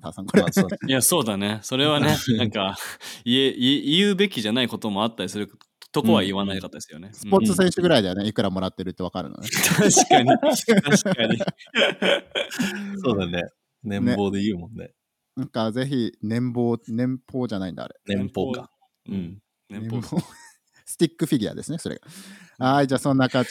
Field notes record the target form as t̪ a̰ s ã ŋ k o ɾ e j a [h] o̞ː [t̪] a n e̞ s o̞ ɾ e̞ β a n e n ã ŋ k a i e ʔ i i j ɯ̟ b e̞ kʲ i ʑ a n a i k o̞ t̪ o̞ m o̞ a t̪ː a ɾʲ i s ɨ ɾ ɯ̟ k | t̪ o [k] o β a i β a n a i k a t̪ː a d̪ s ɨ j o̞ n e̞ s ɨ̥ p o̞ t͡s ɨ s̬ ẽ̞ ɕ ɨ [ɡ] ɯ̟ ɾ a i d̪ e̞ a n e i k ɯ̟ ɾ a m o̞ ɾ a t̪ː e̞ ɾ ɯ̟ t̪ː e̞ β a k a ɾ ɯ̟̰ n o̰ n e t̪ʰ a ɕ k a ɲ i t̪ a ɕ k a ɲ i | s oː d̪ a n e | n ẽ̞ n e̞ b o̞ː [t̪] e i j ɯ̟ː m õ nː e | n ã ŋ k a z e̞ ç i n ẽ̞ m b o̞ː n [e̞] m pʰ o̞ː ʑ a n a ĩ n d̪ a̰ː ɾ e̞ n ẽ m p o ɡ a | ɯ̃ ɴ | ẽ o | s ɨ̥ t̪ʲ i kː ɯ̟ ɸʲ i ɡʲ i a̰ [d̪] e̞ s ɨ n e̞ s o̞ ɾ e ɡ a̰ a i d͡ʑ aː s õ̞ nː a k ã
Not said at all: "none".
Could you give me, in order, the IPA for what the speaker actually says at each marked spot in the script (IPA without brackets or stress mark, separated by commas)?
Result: s, d̪, k, ɡ, d̪, ẽ̞, d̪